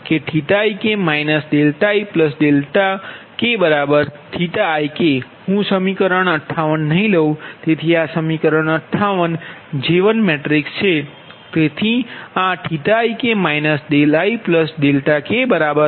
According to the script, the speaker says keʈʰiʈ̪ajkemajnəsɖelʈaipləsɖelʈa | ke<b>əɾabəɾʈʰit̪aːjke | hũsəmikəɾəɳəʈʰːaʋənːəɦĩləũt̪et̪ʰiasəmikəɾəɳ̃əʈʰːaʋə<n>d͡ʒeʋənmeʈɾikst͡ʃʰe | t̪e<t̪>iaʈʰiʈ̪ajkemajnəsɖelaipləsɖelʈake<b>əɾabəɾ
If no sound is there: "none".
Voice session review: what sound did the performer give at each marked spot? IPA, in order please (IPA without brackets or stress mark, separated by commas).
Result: b, n, t̪ʰ, b